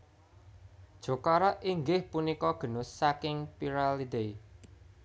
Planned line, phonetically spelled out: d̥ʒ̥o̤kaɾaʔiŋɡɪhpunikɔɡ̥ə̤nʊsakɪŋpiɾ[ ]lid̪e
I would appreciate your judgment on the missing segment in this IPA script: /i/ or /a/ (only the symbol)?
a